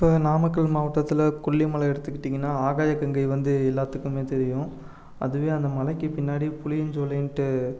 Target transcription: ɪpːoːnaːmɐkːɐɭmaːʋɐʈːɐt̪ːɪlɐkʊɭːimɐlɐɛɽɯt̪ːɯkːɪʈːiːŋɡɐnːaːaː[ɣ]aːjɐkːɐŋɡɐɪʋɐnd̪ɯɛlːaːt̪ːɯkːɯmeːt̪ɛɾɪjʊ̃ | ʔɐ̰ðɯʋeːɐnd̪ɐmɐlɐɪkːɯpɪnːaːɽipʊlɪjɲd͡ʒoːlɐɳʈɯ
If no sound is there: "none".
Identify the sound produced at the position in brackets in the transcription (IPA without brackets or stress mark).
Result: ɣ